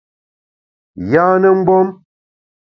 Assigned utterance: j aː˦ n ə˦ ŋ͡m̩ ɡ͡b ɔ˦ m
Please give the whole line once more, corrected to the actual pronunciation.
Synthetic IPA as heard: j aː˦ n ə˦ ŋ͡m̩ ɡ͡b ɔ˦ m